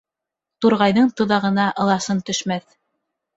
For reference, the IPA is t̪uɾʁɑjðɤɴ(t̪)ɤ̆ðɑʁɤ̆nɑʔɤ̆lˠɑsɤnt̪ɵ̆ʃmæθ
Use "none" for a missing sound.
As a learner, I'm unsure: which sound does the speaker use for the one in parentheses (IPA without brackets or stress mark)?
t̪